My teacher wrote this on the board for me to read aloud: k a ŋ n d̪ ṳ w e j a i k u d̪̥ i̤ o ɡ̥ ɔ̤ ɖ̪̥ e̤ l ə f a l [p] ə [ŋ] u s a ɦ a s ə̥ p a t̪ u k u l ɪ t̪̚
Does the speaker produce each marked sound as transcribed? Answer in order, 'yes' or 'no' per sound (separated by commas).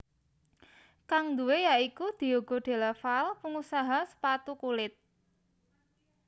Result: yes, yes